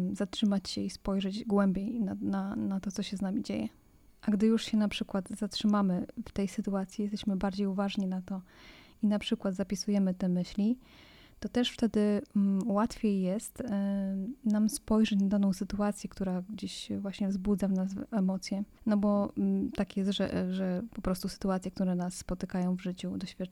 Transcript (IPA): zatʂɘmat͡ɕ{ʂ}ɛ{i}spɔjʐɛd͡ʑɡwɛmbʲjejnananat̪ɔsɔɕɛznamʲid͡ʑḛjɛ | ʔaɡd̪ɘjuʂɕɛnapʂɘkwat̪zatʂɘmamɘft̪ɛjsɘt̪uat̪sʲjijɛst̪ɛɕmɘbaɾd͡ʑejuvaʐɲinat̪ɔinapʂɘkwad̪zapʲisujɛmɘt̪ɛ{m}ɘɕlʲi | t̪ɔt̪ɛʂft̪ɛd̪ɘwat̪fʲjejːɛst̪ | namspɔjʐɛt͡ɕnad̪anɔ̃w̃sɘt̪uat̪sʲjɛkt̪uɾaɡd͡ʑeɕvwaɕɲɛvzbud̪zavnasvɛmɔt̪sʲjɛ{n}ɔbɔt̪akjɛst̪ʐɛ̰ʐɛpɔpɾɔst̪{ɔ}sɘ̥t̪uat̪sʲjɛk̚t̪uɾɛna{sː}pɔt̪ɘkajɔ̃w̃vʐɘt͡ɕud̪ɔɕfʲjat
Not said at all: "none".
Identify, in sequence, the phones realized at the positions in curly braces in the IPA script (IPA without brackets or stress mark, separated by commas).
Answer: ɕ, i, m, n, u, sː